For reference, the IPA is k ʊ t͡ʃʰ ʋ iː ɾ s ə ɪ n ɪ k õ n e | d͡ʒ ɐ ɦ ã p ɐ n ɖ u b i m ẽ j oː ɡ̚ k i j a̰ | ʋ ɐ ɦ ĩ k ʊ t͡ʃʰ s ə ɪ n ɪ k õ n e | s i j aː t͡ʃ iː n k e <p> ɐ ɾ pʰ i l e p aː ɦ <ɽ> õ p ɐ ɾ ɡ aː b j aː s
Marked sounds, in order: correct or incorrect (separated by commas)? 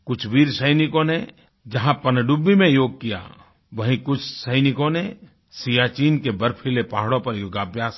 incorrect, correct